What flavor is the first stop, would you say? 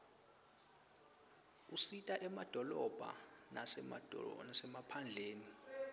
ejective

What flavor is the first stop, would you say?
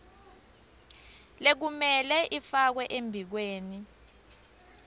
plain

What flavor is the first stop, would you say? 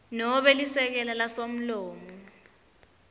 implosive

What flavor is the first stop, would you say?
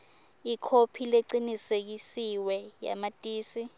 aspirated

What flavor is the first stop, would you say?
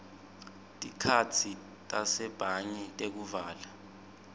ejective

